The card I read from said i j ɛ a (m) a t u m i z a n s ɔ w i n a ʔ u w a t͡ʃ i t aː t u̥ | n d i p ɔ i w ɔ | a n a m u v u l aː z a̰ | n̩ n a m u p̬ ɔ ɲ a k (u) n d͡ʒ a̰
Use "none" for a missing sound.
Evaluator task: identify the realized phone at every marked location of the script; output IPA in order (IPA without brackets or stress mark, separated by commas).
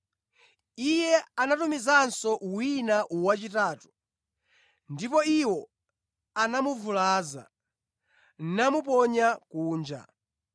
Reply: n, uː